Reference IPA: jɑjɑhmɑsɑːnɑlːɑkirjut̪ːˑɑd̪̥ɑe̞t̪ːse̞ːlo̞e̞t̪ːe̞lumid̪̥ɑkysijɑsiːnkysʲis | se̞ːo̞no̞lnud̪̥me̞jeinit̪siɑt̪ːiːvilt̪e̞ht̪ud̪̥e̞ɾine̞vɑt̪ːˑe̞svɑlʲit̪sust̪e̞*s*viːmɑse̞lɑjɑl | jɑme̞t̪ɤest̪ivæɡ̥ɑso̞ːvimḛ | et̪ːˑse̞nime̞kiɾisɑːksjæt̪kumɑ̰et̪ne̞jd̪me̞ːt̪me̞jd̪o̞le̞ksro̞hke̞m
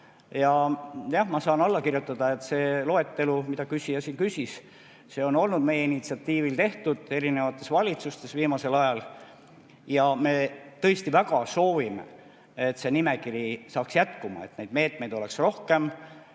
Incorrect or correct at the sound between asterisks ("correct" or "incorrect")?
correct